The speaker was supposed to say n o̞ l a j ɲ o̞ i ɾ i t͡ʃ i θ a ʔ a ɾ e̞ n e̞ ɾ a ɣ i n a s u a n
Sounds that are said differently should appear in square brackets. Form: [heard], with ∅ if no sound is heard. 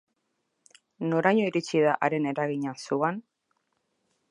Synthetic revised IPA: n o̞ [ɾ] a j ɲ o̞ i ɾ i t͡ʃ i [ð] a ʔ a ɾ e̞ n e̞ ɾ a ɣ i [ɲ] a s u a n